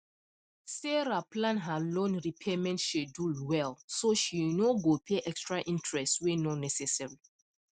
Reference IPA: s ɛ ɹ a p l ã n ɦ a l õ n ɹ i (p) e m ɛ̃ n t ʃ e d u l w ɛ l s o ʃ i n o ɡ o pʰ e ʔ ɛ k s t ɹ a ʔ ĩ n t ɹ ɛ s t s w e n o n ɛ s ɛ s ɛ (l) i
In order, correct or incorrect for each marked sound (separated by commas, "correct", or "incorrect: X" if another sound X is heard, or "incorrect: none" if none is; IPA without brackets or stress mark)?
incorrect: pʰ, incorrect: ɹ